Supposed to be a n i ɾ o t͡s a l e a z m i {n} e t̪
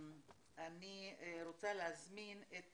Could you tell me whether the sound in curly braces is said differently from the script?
no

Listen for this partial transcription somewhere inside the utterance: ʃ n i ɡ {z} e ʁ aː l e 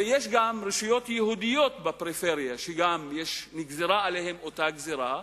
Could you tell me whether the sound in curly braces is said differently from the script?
no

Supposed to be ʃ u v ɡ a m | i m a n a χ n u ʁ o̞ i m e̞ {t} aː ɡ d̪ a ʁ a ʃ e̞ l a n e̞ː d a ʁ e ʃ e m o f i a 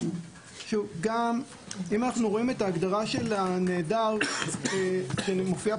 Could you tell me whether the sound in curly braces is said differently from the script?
no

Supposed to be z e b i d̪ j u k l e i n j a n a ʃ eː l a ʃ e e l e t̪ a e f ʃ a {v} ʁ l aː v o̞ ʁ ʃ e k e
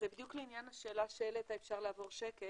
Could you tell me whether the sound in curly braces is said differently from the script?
yes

